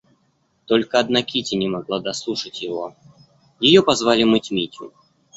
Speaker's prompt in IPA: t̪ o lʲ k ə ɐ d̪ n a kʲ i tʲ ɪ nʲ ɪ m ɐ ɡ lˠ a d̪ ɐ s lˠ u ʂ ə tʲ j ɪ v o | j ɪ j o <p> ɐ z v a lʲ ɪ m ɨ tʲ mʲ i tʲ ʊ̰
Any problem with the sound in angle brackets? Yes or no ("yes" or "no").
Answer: no